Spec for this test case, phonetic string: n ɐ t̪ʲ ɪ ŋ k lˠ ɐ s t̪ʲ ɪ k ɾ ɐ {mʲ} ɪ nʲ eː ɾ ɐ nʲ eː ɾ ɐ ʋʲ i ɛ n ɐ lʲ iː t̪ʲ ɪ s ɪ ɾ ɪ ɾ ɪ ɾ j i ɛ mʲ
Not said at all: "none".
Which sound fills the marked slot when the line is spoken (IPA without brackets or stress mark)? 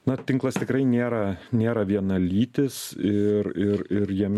none